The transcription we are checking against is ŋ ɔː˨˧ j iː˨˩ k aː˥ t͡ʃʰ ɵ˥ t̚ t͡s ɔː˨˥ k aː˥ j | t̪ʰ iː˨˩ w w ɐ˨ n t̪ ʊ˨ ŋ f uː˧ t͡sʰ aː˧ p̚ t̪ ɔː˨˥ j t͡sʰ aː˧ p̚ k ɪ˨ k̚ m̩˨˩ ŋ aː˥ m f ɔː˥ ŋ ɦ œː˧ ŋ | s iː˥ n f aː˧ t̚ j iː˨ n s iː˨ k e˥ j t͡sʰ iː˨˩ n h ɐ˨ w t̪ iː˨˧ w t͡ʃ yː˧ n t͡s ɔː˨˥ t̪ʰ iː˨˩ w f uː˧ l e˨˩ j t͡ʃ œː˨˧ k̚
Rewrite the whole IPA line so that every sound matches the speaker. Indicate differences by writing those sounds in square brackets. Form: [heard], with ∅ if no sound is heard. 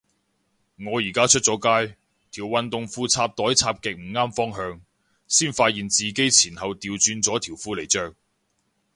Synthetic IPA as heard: ŋ ɔː˨˧ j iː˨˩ k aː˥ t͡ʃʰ ɵ˥ t̚ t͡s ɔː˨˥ k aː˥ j | t̪ʰ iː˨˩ w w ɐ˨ n t̪ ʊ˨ ŋ f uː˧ t͡sʰ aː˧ p̚ t̪ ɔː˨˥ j t͡sʰ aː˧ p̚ k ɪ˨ k̚ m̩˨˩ ŋ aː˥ m f ɔː˥ ŋ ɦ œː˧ ŋ | s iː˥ n f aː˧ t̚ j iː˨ n [t͡s] iː˨ k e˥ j t͡sʰ iː˨˩ n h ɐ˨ w t̪ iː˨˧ w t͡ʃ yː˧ n t͡s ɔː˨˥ t̪ʰ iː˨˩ w f uː˧ l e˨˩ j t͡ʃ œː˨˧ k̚